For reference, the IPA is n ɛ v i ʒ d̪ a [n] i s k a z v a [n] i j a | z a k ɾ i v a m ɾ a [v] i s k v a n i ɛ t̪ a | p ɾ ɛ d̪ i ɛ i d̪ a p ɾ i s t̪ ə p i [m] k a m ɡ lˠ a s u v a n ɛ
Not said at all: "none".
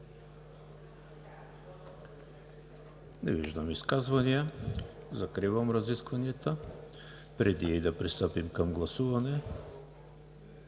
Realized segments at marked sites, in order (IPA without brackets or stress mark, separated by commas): m, n, z, m